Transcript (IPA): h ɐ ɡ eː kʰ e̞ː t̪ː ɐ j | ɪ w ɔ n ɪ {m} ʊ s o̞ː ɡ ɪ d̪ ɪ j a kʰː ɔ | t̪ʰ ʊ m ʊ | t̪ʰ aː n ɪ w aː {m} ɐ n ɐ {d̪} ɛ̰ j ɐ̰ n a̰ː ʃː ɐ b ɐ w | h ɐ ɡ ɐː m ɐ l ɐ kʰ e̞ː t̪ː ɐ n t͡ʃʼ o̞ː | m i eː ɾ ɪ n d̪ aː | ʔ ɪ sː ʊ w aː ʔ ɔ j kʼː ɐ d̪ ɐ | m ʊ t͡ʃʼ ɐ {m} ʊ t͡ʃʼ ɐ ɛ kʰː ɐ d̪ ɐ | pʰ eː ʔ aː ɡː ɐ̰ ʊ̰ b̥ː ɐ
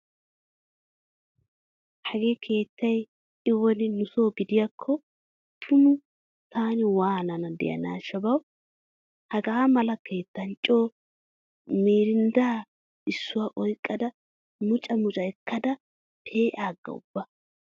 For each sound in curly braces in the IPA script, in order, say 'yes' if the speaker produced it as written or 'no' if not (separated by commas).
no, no, yes, yes